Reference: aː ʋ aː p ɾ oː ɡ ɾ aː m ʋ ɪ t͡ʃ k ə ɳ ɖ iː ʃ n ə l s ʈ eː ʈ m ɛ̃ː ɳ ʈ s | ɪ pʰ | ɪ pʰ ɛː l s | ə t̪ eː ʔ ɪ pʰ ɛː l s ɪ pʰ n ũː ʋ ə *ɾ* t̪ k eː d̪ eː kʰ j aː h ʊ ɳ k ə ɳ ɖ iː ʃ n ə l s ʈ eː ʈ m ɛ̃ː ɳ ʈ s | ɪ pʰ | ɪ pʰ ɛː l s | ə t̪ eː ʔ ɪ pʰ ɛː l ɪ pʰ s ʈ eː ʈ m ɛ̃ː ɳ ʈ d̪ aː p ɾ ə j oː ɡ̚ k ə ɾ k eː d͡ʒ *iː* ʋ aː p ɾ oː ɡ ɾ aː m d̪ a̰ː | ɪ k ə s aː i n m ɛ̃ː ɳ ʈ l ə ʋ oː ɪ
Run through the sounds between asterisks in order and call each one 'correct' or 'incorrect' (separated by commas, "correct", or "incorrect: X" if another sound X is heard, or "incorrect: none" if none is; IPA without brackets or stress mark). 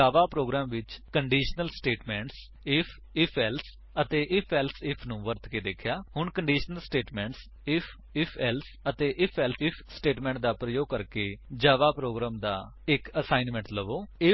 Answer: correct, incorrect: aː